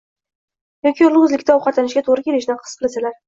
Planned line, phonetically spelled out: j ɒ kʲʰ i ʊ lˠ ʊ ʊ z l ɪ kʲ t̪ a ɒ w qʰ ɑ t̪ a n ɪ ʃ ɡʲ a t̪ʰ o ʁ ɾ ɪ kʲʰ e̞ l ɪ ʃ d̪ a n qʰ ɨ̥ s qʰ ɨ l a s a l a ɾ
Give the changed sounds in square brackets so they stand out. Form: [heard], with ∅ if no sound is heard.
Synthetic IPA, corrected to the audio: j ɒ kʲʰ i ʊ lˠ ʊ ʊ z l ɪ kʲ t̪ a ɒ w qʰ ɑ t̪ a n ɪ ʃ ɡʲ a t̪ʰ o ʁ ɾ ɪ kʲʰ e̞ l ɪ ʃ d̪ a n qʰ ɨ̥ s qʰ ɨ l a s a l a ɾ